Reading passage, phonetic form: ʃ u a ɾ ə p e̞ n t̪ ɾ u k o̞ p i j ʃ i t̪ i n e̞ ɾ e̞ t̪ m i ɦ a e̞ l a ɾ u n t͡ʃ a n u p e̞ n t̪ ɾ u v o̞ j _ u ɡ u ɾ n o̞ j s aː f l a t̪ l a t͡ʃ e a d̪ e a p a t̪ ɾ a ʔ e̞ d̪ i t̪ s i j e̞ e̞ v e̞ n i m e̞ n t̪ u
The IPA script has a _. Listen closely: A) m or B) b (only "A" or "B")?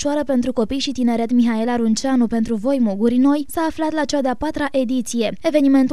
A